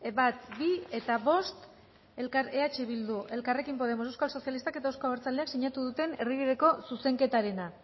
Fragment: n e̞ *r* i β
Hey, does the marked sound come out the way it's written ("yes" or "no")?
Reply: yes